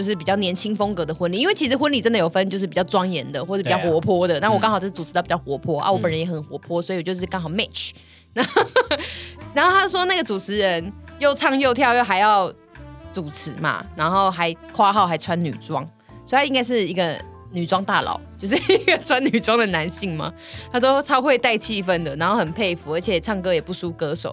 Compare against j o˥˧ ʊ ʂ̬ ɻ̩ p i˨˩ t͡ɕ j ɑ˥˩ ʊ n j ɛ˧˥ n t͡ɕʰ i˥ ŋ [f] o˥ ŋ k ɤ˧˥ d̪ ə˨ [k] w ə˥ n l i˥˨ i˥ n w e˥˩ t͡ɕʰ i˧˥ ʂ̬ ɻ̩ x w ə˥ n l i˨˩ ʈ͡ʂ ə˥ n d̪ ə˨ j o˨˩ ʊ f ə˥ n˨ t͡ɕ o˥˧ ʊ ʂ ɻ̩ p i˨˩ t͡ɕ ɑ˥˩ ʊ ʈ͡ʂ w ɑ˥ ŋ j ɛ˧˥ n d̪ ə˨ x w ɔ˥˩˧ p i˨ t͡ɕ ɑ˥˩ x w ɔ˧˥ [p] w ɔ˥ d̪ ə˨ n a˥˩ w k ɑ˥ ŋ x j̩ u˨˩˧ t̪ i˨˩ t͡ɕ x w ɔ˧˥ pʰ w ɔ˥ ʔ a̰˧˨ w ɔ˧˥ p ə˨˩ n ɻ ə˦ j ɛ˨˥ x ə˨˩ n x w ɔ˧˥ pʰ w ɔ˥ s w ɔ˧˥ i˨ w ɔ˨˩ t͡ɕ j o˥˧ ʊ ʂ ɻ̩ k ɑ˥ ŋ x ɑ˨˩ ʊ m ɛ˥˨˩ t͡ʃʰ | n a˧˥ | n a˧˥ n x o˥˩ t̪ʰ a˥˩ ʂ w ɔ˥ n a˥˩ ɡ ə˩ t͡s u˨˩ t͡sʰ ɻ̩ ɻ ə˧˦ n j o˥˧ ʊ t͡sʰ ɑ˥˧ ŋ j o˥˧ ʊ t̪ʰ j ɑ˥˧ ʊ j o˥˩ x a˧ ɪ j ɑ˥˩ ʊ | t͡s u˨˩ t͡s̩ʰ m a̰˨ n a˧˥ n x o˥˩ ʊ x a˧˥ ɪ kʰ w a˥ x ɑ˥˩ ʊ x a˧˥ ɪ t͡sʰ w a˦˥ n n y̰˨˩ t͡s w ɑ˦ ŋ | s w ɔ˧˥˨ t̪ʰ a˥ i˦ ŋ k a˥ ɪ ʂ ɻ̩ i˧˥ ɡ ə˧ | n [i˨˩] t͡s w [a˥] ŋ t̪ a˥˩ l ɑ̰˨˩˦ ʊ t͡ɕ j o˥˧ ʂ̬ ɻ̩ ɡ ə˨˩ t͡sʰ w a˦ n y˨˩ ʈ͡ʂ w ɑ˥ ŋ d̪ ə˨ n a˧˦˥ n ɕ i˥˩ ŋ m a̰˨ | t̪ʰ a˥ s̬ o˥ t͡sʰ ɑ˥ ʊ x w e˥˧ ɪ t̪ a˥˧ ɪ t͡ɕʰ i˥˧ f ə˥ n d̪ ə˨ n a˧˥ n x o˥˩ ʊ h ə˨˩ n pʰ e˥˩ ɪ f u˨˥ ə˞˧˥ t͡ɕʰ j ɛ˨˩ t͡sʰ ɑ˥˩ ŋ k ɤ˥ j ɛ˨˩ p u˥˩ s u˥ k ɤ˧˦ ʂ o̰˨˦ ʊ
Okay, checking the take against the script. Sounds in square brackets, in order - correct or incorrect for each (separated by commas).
correct, incorrect, incorrect, incorrect, incorrect